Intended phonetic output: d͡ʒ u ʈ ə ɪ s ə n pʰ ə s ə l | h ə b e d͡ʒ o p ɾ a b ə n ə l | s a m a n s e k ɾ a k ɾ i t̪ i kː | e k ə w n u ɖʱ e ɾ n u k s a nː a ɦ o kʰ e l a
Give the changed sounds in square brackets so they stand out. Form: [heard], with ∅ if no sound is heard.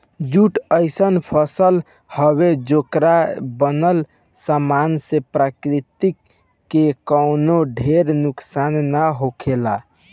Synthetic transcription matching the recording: d͡ʒ u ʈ ə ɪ s ə n pʰ ə s ə l | h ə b e d͡ʒ o [k] ɾ a b ə n ə l | s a m a n s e [p] ɾ a k ɾ i t̪ i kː | e k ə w n [o] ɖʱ e ɾ n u k s a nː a ɦ o kʰ e l a